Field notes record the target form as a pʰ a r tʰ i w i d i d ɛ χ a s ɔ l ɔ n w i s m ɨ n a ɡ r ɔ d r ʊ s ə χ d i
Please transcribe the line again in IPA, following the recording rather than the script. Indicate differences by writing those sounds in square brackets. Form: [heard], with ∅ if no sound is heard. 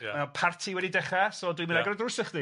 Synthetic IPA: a pʰ a r tʰ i w [ɛ] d i d ɛ χ a s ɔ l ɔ [d] w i [∅] m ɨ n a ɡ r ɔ d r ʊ s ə χ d i